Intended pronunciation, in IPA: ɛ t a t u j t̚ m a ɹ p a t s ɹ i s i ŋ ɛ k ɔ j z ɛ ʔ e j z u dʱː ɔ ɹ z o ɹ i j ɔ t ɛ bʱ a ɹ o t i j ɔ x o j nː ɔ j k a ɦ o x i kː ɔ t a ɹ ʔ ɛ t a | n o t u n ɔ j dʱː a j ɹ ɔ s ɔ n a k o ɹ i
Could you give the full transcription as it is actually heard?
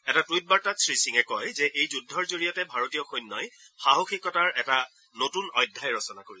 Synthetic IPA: ɛ t a t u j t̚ b a ɹ t a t s ɹ i s i ŋ ɛ k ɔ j z ɛ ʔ e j z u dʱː ɔ ɹ z o ɹ i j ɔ t ɛ bʱ a ɹ o t i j ɔ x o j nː ɔ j x a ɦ o x i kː ɔ t a ɹ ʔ ɛ t a | n o t u n ɔ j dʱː a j ɹ ɔ s ɔ n a k o ɹ i